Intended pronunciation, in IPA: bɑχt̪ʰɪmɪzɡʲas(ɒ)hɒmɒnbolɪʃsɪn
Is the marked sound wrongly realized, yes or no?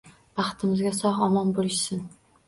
no